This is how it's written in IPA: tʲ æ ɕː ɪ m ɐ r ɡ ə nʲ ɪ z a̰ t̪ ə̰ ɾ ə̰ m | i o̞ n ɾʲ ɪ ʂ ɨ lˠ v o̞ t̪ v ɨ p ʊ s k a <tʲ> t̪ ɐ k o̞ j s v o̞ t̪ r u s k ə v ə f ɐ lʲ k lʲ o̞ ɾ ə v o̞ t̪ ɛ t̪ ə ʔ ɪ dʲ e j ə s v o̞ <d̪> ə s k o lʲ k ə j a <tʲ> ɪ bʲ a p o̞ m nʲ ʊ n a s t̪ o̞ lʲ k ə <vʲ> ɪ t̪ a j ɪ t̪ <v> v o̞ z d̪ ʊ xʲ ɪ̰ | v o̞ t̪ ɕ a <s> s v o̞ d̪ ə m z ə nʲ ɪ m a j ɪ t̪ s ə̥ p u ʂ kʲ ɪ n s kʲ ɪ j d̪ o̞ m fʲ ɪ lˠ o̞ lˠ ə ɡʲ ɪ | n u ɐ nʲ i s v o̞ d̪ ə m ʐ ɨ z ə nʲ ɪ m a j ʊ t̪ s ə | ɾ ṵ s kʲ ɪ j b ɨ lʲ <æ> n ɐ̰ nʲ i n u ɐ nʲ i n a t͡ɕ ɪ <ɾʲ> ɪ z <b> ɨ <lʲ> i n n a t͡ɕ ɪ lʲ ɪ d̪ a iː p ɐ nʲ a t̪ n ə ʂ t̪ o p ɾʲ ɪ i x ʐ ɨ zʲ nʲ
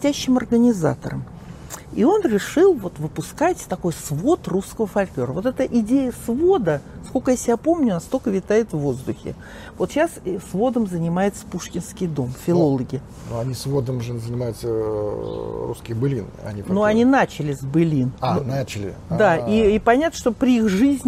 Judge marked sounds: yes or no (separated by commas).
yes, yes, no, yes, yes, yes, no, no, yes, yes